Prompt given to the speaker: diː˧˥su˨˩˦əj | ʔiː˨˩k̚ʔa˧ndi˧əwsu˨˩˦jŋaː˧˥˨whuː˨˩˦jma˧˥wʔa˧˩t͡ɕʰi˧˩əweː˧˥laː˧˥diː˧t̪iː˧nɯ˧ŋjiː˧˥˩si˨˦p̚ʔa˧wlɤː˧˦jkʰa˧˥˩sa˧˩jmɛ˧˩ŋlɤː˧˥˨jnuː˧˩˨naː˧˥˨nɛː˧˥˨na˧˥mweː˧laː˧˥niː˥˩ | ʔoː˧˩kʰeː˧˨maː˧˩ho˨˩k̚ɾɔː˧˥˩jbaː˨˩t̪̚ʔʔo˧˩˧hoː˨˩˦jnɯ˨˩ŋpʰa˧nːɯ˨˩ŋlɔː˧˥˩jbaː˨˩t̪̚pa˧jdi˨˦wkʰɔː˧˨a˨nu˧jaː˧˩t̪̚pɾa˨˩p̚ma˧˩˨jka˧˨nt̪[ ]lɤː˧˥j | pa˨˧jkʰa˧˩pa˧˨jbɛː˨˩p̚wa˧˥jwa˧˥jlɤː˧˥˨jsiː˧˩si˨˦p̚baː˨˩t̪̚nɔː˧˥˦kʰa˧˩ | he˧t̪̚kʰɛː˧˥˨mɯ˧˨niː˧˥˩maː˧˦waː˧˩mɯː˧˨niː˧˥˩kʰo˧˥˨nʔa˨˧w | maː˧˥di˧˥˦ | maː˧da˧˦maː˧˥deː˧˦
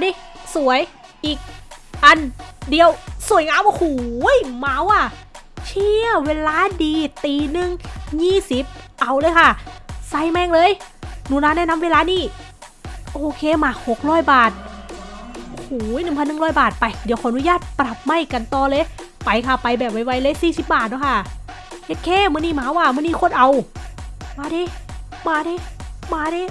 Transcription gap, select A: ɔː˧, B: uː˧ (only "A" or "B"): A